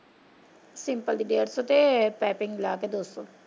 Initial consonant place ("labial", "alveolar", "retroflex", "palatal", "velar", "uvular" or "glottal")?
alveolar